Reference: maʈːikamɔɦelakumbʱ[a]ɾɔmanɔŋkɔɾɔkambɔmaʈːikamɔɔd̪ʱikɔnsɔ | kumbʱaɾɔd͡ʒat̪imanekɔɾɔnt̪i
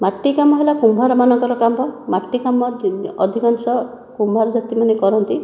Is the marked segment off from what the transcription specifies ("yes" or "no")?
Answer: no